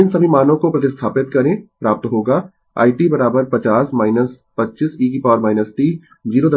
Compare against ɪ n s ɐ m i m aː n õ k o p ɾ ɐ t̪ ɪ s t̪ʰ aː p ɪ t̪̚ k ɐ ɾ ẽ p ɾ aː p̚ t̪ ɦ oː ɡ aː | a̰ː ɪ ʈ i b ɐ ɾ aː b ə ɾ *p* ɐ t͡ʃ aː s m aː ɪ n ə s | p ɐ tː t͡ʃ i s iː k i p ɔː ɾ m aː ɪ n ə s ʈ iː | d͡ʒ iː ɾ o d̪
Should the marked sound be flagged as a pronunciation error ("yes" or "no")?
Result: no